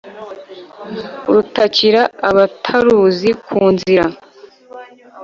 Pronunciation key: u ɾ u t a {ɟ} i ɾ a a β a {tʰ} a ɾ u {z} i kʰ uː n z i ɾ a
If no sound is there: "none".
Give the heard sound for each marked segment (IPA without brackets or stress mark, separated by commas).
c, tʰ, z